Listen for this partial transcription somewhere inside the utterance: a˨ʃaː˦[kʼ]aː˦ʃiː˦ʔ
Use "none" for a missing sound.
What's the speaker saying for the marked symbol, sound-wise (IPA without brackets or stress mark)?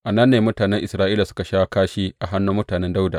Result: k